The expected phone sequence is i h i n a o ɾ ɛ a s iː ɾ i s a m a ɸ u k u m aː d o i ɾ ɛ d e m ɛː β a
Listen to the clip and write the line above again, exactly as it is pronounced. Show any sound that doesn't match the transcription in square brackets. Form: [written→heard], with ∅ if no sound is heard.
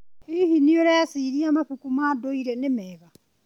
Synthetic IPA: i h i n [a→i] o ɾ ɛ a s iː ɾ i [s→∅] a m a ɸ u k u m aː d o i ɾ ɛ [d→n] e m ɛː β a